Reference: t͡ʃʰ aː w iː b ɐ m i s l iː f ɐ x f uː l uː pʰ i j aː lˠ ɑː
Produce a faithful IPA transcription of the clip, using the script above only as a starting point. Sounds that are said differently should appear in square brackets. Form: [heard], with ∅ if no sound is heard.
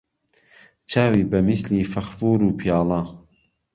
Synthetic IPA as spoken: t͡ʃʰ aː w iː b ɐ m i s l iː f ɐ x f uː [ɾ] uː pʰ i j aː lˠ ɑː